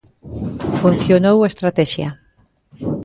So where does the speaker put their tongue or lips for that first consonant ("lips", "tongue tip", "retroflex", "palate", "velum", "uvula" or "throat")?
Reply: lips